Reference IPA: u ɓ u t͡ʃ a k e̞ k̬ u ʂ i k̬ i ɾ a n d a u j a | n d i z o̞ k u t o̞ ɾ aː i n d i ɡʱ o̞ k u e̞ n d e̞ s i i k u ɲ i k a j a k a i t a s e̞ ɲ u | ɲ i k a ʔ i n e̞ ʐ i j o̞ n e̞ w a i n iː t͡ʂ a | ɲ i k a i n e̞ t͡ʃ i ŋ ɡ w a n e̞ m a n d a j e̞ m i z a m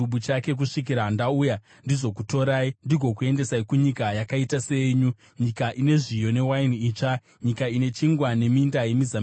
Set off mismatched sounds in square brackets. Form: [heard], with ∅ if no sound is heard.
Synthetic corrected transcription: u ɓ u t͡ʃ a k e̞ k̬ u ʂ i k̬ i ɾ a n d a u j a | n d i z o̞ k u t o̞ ɾ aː i n d i ɡʱ o̞ k u e̞ n d e̞ s [a] i k u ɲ i k a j a k a i t a s e̞ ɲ u | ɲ i k a ʔ i n e̞ ʐ i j o̞ n e̞ w a i n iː t͡ʂ a | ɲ i k a i n e̞ t͡ʃ i ŋ ɡ w a n e̞ m [i] n d a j e̞ m i z a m